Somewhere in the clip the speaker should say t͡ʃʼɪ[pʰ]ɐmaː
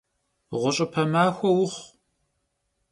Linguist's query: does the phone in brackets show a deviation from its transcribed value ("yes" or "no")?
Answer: no